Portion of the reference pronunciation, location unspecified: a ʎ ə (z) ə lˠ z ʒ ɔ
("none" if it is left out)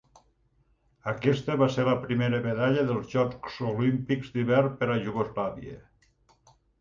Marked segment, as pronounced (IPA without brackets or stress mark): ð